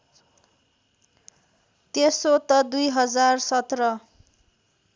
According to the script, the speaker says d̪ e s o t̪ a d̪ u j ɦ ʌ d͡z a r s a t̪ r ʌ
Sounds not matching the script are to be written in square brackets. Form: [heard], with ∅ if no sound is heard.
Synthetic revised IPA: [t̪] e s o t̪ [ʌ] d̪ u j ɦ ʌ d͡z a r s [ʌ] t̪ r ʌ